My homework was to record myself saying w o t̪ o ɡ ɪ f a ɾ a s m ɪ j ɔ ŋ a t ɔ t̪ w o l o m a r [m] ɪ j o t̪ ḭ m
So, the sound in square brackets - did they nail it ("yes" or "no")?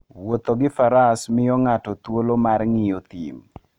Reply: no